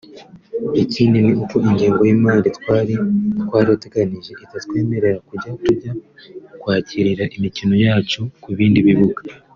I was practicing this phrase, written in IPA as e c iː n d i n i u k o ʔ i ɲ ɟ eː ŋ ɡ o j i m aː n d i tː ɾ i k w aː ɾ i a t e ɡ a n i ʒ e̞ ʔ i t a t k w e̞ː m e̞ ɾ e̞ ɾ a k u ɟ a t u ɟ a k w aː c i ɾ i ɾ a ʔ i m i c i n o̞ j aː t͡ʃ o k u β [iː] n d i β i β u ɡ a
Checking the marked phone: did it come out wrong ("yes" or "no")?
no